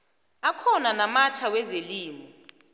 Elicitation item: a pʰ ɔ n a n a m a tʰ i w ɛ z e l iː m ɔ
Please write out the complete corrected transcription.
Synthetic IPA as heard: a kʰ ɔ n a n a m a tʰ a w ɛ z e l iː m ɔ